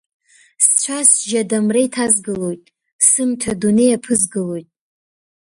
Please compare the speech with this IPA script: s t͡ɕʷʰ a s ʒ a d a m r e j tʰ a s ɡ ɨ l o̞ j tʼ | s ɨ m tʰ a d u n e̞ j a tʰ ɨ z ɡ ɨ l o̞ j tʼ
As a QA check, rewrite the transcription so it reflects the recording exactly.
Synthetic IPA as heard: s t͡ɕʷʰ a s ʒ a d a m r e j tʰ a z ɡ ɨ l o̞ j tʼ | s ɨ m tʰ a d u n e̞ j a pʰ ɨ z ɡ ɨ l o̞ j tʼ